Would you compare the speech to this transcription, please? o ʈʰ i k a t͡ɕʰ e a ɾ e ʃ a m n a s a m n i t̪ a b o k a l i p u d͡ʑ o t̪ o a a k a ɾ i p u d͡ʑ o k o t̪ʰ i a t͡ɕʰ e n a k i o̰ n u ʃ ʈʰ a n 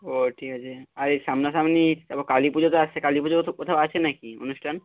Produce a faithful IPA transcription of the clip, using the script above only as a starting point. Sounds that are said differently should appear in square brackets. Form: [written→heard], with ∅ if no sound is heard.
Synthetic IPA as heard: o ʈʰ i k a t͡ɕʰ e a ɾ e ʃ a m n a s a m n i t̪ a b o k a l i p u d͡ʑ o t̪ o a [a→e] k a [ɾ→l] i p u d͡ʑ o k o t̪ʰ [i→a] a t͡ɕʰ e n a k i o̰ n u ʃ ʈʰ a n